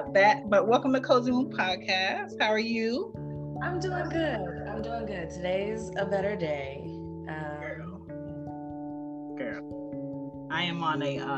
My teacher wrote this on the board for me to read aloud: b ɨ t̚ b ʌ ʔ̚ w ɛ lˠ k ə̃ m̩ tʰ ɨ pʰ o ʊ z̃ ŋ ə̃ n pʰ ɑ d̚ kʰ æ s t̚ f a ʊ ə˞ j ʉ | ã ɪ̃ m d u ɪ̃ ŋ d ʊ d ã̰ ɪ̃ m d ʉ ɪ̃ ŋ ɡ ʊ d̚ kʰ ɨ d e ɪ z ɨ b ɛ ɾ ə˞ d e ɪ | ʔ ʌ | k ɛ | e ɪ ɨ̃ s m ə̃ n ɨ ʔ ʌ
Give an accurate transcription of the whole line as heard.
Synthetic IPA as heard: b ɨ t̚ b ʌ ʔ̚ w ɛ lˠ k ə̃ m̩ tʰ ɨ kʰ o ʊ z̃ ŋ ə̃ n pʰ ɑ d̚ kʰ æ s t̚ h a ʊ ə˞ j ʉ | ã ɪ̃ m d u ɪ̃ ŋ ɡ ʊ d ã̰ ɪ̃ m d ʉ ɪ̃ ŋ ɡ ʊ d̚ tʰ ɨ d e ɪ z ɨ b ɛ ɾ ə˞ d e ɪ | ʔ ʌ | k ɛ | a ɪ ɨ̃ m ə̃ n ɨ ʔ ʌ